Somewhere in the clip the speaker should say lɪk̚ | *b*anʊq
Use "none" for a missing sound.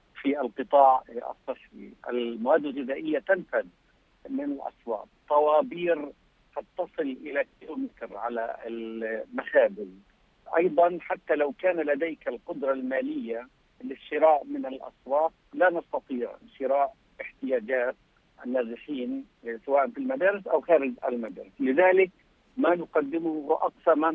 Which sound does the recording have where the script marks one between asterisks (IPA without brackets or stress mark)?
m